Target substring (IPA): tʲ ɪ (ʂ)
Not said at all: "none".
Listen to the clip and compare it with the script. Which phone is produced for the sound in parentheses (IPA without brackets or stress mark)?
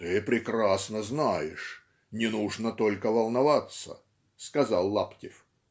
f